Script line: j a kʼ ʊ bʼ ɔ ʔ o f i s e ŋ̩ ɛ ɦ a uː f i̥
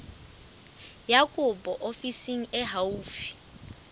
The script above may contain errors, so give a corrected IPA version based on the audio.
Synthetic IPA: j a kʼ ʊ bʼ ɔ ʔ o f i s i ŋ̩ ɛ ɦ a uː f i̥